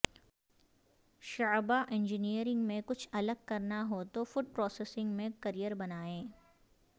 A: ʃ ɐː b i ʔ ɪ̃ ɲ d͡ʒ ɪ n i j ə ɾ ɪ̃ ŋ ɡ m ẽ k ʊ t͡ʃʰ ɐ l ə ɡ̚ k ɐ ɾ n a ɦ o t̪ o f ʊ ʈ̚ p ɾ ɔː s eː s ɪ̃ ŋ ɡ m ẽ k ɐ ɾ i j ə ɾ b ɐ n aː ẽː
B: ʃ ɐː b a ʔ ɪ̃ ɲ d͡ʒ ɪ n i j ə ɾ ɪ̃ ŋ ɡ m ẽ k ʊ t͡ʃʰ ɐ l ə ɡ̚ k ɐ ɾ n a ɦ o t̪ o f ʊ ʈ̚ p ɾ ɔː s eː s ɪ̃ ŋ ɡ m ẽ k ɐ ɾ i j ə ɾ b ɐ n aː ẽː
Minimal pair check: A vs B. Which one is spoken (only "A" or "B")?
B